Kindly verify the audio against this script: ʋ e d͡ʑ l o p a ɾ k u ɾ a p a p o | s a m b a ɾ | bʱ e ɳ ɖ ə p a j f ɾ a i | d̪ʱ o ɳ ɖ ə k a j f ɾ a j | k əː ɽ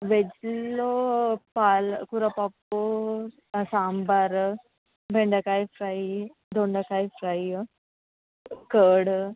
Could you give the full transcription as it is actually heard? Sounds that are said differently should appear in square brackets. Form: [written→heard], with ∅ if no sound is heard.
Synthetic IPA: ʋ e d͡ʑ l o p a [ɾ→l] k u ɾ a p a p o | s a m b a ɾ | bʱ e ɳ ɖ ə [p→k] a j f ɾ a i | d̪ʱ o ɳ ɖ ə k a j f ɾ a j | k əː ɽ

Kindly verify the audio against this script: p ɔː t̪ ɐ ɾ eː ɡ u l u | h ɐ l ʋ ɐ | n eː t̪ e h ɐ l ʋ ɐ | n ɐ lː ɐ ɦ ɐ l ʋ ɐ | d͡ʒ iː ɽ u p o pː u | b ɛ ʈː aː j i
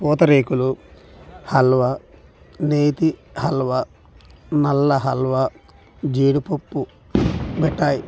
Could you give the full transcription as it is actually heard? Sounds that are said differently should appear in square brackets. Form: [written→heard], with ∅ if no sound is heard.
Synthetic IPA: p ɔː t̪ ɐ ɾ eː [ɡ→k] u l u | h ɐ l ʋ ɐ | n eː t̪ [e→i] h ɐ l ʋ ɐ | n ɐ lː ɐ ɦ ɐ l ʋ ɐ | d͡ʒ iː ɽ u p o pː u | b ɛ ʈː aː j i

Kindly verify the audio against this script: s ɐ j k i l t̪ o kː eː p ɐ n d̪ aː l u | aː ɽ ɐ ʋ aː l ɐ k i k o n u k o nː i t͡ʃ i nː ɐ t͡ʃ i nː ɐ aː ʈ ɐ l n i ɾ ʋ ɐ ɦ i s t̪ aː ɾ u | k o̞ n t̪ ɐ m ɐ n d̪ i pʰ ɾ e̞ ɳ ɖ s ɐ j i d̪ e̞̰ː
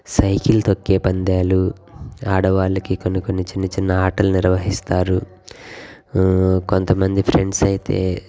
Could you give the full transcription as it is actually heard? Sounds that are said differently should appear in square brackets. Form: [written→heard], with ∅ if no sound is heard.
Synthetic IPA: s ɐ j k i l t̪ o kː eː p ɐ n d̪ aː l u | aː ɽ ɐ ʋ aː l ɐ k i k o n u k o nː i t͡ʃ i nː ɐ t͡ʃ i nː ɐ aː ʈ ɐ l n i ɾ ʋ ɐ ɦ i s t̪ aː ɾ u | k o̞ n t̪ ɐ m ɐ n d̪ i pʰ ɾ e̞ ɳ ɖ s ɐ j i [d̪→t̪] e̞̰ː

